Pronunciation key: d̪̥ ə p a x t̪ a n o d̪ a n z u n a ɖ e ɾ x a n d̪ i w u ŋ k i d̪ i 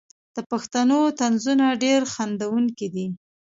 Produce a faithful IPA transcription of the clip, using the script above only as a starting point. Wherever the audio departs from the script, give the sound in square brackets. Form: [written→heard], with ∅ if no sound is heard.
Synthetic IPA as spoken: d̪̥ ə p a x t̪ a n o [d̪→t̪] a n z u n a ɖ e ɾ x a n d̪ [i→a] w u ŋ k i d̪ i